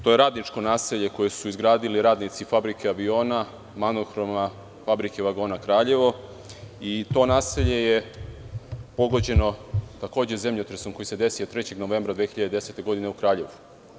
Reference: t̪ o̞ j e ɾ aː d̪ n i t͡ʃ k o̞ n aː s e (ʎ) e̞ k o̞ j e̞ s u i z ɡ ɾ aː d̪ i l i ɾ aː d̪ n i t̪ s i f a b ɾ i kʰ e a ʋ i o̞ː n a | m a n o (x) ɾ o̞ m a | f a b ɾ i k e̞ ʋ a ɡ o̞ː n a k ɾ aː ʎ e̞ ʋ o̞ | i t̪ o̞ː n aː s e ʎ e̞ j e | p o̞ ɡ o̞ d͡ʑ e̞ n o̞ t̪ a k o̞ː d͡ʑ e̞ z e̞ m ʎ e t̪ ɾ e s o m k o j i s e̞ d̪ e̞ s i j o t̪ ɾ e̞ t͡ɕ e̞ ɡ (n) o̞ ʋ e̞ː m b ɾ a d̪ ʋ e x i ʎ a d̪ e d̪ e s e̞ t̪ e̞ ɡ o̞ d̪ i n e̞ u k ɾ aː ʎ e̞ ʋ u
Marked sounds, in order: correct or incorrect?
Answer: correct, correct, correct

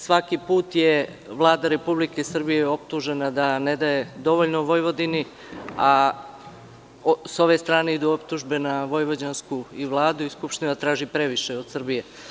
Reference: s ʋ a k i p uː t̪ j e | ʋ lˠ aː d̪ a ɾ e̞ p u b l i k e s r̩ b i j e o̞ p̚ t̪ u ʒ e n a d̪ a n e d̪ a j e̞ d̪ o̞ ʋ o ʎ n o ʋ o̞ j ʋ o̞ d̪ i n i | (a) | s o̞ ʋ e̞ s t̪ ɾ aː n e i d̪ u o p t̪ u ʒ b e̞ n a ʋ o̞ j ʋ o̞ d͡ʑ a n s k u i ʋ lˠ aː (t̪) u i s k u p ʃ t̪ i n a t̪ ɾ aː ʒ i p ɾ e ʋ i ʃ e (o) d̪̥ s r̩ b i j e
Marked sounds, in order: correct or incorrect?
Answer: correct, incorrect: d̪, correct

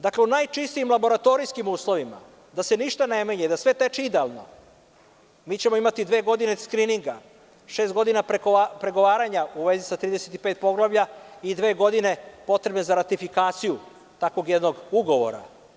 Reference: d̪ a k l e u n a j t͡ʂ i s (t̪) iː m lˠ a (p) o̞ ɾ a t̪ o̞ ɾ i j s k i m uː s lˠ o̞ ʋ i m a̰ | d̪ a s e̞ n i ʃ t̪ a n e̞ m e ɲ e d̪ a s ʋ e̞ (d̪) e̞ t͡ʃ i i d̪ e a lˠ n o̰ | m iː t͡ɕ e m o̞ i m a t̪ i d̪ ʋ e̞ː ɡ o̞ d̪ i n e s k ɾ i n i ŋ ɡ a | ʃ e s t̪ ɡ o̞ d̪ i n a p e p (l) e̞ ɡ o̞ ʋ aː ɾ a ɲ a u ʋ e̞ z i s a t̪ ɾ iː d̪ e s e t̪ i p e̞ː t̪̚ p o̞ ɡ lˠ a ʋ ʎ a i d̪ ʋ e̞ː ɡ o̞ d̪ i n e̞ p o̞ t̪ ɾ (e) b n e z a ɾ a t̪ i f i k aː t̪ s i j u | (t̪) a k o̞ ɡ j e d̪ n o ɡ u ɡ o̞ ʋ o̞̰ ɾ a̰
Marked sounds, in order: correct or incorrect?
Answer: correct, incorrect: b, incorrect: t̪, incorrect: ɾ, correct, correct

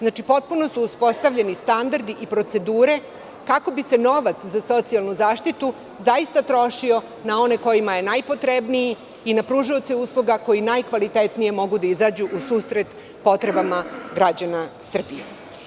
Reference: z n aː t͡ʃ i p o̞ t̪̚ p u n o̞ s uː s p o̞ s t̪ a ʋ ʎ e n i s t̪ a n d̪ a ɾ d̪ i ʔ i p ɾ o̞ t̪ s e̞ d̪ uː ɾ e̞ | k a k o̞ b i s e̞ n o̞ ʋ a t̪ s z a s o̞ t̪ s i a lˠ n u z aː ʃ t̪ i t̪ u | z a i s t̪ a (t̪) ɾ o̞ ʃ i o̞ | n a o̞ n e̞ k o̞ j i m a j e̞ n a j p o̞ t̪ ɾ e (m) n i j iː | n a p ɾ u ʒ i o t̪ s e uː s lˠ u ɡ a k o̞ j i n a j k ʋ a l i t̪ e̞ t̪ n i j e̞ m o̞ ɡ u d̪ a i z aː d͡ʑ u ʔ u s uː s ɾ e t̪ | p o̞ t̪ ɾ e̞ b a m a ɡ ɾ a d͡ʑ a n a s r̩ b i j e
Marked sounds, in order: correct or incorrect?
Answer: correct, incorrect: b

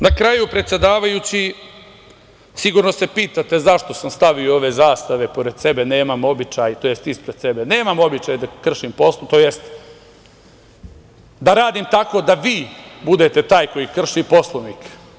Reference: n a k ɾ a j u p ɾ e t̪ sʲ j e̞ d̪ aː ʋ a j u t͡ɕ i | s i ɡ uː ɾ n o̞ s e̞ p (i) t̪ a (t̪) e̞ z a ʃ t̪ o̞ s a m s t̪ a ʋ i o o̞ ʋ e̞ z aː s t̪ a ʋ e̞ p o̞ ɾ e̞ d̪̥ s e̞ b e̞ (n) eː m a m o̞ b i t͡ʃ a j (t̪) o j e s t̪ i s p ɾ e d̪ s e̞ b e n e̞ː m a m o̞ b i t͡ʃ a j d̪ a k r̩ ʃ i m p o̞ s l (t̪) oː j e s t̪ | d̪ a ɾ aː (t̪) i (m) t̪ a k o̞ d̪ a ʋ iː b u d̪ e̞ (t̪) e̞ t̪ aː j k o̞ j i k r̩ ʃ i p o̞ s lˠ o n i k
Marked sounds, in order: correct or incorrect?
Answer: incorrect: iː, correct, correct, correct, correct, incorrect: d̪, correct, correct

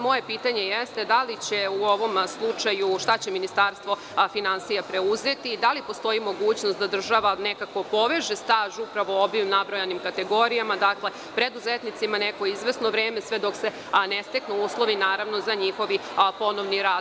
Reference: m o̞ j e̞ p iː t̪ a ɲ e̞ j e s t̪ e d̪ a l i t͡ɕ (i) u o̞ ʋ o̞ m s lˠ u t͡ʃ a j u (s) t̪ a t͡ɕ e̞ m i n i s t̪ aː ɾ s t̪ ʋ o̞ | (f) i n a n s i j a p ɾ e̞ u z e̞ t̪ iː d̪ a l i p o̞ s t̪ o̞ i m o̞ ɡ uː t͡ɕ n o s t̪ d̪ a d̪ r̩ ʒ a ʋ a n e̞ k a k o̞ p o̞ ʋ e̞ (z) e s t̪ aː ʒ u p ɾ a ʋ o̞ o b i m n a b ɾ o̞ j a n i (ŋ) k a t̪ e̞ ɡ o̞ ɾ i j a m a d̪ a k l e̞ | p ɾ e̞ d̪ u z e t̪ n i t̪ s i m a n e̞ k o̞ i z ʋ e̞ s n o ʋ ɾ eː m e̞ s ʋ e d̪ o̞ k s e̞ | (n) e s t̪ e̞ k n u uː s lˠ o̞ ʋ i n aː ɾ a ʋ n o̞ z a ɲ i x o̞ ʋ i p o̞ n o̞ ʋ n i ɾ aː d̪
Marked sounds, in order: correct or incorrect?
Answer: incorrect: e, incorrect: ʃ, correct, incorrect: ʒ, incorrect: m, correct

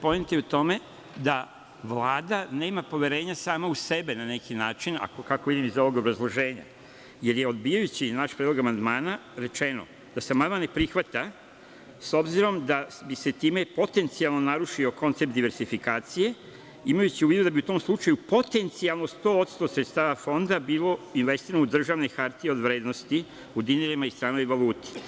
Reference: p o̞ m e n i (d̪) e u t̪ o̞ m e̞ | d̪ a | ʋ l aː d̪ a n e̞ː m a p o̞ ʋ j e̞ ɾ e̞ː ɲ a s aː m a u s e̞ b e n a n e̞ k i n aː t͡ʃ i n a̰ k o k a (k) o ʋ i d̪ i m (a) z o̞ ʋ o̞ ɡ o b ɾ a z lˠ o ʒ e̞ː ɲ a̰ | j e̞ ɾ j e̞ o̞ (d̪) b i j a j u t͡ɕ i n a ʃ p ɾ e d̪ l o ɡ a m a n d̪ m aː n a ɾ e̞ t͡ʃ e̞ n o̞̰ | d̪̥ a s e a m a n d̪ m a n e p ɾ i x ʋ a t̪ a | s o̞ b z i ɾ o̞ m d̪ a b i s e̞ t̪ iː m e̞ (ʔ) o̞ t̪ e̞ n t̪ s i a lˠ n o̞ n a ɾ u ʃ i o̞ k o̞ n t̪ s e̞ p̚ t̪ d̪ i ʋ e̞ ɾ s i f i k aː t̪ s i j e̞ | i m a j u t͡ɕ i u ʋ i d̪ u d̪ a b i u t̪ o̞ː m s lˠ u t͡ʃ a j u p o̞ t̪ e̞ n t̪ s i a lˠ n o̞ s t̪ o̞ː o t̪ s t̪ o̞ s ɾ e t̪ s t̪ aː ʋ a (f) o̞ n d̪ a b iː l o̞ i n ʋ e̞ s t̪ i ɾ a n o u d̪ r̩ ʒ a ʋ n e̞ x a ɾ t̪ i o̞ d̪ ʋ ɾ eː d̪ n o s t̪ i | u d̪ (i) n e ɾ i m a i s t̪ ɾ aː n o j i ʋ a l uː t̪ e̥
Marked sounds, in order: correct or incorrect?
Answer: incorrect: t̪, correct, incorrect: i, correct, incorrect: p, correct, correct

